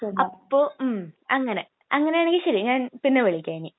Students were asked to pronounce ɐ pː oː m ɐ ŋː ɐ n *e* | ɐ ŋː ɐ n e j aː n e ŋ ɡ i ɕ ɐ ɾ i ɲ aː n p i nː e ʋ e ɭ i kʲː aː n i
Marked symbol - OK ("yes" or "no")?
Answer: yes